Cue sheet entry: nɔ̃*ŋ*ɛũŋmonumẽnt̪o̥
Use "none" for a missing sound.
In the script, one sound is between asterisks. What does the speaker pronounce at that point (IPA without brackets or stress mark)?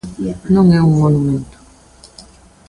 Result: ŋ